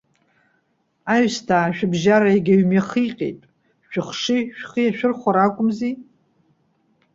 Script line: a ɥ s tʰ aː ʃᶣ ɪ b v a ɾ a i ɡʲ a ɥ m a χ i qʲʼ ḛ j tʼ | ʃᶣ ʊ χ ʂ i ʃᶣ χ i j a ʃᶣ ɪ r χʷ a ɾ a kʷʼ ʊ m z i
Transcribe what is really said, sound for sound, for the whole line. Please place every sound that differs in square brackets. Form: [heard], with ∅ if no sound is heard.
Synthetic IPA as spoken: a ɥ s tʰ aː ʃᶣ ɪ b [ʒ] a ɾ a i ɡʲ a ɥ m a χ i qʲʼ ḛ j tʼ | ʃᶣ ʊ χ ʂ i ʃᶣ χ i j a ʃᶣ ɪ r χʷ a ɾ a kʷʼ ʊ m z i